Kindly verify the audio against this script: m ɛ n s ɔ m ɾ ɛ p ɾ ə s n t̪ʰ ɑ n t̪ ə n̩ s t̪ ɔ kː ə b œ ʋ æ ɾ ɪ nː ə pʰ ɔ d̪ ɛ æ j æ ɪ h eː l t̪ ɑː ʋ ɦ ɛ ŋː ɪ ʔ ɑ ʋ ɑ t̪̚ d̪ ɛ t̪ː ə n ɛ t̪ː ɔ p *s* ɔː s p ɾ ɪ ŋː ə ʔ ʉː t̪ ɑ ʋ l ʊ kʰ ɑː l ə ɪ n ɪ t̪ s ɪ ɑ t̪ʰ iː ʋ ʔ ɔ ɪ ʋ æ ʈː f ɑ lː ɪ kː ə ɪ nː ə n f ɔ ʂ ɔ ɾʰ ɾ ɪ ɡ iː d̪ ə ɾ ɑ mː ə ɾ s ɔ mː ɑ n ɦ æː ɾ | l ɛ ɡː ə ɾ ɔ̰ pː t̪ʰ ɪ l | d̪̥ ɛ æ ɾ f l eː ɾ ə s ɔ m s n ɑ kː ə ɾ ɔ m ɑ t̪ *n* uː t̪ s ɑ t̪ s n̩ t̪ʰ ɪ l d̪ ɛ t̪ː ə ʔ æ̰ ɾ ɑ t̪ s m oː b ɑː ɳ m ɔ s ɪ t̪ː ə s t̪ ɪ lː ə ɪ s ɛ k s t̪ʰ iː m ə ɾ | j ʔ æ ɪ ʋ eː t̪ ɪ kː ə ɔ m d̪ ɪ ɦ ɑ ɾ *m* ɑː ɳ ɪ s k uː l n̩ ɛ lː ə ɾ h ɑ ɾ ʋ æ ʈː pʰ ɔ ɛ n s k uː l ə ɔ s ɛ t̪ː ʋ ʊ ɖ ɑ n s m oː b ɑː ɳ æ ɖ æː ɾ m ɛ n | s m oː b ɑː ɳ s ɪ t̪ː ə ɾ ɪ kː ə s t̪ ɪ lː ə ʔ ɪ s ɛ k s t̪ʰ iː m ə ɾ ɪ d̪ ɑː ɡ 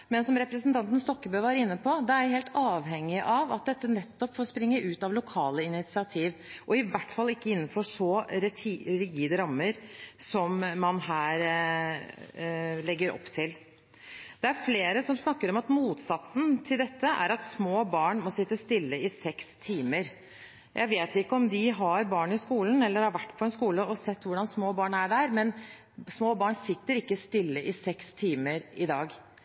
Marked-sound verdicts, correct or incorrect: incorrect, incorrect, incorrect

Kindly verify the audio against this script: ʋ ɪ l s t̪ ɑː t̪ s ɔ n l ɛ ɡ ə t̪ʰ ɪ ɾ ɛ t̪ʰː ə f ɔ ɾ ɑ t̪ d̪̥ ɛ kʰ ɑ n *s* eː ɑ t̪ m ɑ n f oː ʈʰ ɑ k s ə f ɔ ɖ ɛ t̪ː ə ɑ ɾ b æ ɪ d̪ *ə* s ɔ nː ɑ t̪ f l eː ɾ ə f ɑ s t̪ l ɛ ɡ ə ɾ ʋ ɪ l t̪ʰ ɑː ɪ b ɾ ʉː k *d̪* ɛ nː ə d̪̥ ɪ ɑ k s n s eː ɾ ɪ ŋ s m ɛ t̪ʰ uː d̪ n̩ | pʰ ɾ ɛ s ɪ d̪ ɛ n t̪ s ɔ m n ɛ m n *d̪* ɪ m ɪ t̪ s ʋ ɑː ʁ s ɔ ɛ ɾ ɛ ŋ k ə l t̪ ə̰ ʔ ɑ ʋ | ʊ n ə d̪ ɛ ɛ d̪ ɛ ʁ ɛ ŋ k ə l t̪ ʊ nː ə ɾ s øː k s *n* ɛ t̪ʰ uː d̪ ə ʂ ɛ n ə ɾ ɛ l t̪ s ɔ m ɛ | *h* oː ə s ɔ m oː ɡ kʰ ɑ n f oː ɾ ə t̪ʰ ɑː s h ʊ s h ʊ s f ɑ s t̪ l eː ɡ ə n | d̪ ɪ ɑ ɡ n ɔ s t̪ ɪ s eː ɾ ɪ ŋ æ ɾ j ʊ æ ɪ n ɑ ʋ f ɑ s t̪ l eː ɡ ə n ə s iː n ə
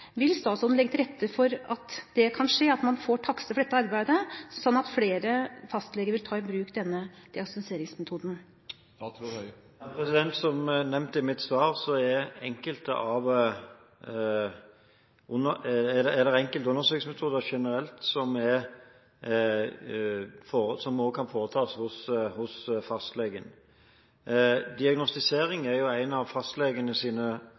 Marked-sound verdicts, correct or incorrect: incorrect, correct, correct, incorrect, incorrect, incorrect

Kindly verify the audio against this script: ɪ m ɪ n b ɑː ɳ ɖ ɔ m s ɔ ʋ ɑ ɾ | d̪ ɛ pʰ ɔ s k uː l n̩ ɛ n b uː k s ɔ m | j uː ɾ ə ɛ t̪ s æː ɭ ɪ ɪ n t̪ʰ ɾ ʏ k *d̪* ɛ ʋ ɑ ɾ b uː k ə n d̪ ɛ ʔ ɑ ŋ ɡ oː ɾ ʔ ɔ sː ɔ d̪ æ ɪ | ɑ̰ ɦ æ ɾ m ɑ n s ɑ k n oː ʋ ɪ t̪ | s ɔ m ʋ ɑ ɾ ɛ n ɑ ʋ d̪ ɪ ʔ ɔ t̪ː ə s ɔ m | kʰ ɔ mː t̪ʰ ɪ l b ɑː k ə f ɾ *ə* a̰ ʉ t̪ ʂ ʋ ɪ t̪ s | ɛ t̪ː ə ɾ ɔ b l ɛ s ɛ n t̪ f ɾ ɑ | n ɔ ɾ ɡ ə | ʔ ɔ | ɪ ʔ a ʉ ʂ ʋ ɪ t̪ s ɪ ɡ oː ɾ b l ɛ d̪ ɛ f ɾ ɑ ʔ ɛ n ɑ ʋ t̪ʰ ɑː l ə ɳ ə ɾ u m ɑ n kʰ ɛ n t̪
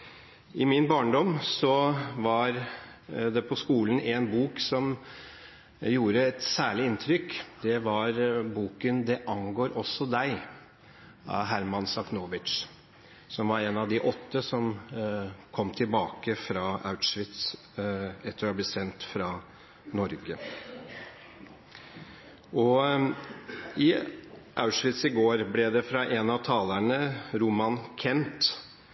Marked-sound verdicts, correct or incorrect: correct, incorrect

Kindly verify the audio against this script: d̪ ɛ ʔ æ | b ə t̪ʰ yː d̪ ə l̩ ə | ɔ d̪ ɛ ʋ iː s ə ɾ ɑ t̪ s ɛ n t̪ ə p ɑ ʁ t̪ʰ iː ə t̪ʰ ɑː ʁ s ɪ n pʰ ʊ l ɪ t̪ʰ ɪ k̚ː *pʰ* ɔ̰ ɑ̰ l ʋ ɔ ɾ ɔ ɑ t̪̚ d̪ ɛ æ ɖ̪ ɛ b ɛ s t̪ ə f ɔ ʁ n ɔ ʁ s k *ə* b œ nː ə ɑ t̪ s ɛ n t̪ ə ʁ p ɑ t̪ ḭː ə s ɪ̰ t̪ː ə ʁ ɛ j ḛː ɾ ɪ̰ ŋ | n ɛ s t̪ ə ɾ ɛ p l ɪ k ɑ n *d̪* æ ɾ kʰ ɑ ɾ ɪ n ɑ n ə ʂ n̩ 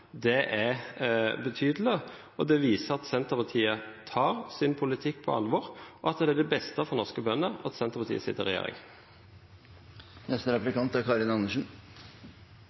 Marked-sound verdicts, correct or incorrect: correct, correct, incorrect

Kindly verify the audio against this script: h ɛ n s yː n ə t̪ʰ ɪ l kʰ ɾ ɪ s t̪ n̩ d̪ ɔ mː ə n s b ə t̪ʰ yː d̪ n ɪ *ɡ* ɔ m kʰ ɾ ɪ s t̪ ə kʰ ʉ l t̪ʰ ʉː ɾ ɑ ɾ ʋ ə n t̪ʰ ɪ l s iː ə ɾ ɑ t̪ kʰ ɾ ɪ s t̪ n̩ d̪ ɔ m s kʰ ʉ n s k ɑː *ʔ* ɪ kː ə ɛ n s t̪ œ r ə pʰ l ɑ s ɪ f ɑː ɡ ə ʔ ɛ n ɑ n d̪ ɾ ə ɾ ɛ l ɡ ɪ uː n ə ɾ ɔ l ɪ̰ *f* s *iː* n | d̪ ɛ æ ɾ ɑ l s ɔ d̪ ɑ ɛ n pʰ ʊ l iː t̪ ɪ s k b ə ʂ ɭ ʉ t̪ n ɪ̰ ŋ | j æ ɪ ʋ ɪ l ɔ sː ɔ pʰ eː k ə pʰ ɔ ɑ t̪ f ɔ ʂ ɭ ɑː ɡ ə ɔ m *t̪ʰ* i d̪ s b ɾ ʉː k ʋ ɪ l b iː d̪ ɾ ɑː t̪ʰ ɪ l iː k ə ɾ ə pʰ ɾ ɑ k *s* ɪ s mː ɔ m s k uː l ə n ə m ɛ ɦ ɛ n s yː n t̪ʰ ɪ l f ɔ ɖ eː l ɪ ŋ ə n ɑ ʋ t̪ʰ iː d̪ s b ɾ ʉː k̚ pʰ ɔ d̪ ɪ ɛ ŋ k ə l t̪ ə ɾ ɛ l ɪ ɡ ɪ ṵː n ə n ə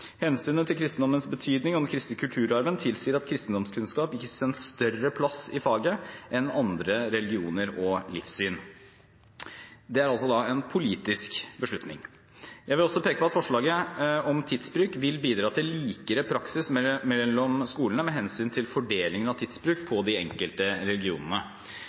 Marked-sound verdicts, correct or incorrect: incorrect, incorrect, correct, incorrect, correct, correct

